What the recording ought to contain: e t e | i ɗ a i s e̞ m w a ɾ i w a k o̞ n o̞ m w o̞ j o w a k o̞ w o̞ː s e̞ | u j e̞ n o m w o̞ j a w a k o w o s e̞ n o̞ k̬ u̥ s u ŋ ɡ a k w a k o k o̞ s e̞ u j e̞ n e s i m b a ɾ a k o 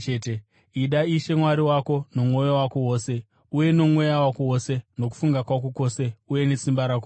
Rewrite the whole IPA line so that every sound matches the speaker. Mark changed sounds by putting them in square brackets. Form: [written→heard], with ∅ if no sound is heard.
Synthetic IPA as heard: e t e | i ɗ a i [s→ʃ] e̞ m w a ɾ i w a k o̞ n o̞ m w o̞ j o w a k o̞ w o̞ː s e̞ | u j e̞ n o m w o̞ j a w a k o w o s e̞ n o̞ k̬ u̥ [s→f] u ŋ ɡ a k w a k o k o̞ s e̞ u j e̞ n e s i m b a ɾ a k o

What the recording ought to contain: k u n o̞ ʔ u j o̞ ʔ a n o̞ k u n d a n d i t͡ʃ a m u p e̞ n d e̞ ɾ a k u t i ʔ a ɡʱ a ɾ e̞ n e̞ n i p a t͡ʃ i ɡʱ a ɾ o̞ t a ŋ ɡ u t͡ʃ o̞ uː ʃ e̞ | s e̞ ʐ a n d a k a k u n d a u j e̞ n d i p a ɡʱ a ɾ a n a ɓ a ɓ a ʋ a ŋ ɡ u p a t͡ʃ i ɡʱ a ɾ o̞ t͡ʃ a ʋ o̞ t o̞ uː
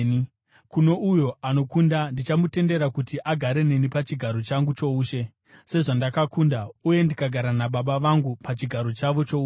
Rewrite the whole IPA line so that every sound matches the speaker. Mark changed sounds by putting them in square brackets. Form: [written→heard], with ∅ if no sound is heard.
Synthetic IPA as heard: k u n o̞ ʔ u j o̞ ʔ a n o̞ k u n d a n d i t͡ʃ a m u [p→t] e̞ n d e̞ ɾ a k u t i ʔ a ɡʱ a ɾ e̞ n e̞ n i p a t͡ʃ i ɡʱ a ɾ o̞ [t→t͡ʃ] a ŋ ɡ u t͡ʃ o̞ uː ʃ e̞ | s e̞ ʐ a n d a k a k u n d a u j e̞ n d i [p→k] a ɡʱ a ɾ a n a ɓ a ɓ a ʋ a ŋ ɡ u p a t͡ʃ i ɡʱ a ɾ o̞ t͡ʃ a ʋ o̞ [t→t͡ʃ] o̞ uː

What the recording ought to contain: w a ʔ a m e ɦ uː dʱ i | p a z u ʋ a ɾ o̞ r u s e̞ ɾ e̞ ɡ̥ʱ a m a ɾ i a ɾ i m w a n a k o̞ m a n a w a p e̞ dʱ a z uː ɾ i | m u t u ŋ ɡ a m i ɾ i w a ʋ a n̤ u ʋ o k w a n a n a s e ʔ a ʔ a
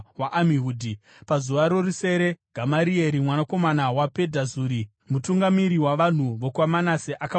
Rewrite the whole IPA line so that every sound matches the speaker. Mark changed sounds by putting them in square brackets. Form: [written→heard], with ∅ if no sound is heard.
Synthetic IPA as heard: w a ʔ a m [e→i] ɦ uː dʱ i | p a z u ʋ a ɾ o̞ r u s e̞ ɾ e̞ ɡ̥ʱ a m a ɾ i [a→e] ɾ i m w a n a k o̞ m a n a w a p e̞ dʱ a z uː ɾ i | m u t u ŋ ɡ a m i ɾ i w a ʋ a n̤ u ʋ o k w a [n→m] a n a s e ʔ a [ʔ→k] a

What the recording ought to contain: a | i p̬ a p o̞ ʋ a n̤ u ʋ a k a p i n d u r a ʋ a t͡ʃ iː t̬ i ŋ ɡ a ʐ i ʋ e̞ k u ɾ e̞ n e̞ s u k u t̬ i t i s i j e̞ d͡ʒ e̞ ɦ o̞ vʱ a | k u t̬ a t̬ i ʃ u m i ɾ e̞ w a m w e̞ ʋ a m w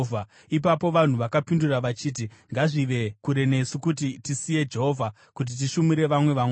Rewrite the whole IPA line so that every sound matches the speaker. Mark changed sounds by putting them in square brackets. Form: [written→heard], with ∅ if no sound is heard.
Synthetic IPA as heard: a | i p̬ a p o̞ ʋ a n̤ u ʋ a k a p i n d u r a ʋ a t͡ʃ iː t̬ i ŋ ɡ a ʐ i ʋ e̞ k u ɾ e̞ n e̞ s u k u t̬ i t i s i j e̞ d͡ʒ e̞ ɦ o̞ vʱ a | k u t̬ [a→i] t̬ i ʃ u m i ɾ e̞ [w→ʋ] a m w e̞ ʋ a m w

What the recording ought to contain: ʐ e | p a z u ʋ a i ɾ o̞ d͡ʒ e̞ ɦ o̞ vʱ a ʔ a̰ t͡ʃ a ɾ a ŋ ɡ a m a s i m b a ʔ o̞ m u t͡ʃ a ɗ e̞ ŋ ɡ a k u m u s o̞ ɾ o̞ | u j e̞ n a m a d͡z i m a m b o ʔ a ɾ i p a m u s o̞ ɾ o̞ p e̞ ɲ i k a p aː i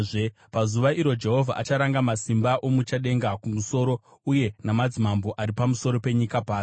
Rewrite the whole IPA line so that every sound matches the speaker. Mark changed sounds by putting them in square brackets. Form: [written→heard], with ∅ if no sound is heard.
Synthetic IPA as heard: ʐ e | p a z u ʋ a i ɾ o̞ d͡ʒ e̞ ɦ o̞ vʱ a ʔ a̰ t͡ʃ a ɾ a ŋ ɡ a m a s i m b a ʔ o̞ m u t͡ʃ a ɗ e̞ ŋ ɡ a k u m u s o̞ ɾ o̞ | u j e̞ n a m a d͡z i m a m b o ʔ a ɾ i p a m u s o̞ ɾ o̞ p e̞ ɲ i k a p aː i

